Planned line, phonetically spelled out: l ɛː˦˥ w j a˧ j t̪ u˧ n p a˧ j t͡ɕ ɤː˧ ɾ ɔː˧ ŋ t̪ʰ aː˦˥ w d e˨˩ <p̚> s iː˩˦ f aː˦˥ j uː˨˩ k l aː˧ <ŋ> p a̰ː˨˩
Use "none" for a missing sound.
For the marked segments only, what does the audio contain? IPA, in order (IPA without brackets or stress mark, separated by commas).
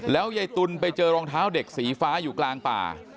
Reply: k̚, ŋ